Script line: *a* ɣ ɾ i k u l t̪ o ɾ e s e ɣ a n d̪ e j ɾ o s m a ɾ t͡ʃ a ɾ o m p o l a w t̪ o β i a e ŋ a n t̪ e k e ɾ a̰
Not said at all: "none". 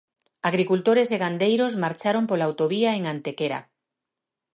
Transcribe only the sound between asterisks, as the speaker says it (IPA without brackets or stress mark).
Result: a